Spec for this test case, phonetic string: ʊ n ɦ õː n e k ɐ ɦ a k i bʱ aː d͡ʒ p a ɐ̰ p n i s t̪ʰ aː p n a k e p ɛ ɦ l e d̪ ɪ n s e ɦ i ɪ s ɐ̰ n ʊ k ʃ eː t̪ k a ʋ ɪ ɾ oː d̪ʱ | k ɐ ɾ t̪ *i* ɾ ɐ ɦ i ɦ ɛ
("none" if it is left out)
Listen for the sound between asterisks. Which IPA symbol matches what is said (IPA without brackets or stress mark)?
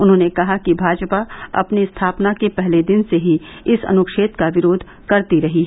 i